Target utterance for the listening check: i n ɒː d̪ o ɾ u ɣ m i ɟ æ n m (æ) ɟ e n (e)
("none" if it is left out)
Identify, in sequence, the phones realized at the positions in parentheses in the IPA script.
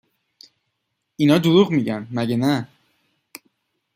æ, æ

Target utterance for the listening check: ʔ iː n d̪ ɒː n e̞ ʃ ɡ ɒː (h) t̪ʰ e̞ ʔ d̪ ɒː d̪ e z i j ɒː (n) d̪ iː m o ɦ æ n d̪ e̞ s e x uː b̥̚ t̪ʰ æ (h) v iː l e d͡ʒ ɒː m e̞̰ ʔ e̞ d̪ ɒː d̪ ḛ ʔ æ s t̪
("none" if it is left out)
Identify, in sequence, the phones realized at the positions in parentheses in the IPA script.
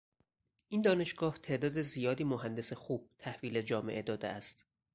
h, none, h

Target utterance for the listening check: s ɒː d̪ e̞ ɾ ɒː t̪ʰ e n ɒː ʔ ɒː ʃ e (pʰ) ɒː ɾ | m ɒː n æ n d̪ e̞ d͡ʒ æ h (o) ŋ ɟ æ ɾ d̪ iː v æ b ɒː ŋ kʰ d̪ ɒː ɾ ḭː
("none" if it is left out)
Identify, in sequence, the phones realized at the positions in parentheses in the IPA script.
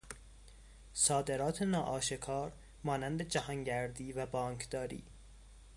kʰ, ɒ

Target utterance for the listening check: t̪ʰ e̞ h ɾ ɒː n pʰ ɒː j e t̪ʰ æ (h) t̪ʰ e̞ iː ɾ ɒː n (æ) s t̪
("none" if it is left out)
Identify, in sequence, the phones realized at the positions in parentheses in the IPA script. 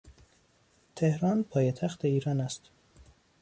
x, æ

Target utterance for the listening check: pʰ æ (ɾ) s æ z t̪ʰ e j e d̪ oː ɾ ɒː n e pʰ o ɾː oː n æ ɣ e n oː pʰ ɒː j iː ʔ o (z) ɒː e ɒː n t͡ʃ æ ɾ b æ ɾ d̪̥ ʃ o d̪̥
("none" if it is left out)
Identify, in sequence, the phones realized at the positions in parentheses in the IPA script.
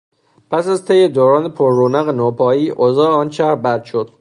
none, z

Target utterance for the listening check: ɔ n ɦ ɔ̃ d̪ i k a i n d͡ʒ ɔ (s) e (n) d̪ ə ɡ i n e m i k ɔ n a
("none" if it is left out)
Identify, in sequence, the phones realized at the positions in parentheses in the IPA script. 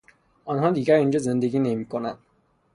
z, n

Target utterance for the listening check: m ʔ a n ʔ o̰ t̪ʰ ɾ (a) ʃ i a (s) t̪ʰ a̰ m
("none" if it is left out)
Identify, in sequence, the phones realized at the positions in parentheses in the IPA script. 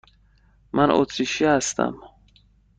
i, s

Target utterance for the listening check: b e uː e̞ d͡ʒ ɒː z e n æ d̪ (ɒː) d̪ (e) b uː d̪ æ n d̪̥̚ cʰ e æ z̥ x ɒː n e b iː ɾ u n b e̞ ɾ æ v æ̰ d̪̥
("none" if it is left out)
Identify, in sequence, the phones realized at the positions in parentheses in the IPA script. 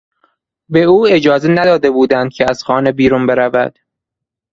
ɒː, e

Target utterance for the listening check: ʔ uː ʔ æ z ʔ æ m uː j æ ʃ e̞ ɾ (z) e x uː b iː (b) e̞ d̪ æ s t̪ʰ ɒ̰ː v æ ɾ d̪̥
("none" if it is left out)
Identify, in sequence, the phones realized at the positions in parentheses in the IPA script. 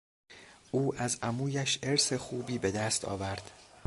s, b

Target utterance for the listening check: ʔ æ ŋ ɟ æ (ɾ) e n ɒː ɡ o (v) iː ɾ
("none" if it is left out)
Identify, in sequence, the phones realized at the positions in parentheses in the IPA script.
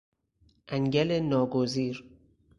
l, z

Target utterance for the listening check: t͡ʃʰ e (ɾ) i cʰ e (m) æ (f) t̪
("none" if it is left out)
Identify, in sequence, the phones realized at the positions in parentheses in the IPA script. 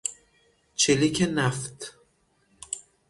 l, n, f

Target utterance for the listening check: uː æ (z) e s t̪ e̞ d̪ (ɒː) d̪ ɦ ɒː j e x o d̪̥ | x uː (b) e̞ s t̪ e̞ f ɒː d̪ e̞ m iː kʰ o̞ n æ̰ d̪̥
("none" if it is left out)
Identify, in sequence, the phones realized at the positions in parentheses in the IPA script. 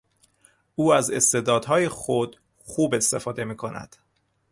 z, ɒː, b

